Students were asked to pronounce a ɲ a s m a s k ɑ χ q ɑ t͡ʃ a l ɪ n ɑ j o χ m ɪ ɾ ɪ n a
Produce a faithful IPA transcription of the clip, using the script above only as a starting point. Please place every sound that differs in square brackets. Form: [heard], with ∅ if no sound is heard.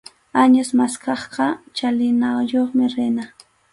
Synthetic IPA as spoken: a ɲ a s m a s k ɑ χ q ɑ t͡ʃ a l ɪ n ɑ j o χ m ɪ ɾ ɪ n a